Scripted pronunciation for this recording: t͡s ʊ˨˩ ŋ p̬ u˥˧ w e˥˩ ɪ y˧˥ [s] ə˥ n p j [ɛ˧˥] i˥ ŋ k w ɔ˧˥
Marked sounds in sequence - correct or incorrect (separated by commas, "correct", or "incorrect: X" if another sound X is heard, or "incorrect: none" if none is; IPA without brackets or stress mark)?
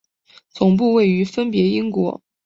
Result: incorrect: f, correct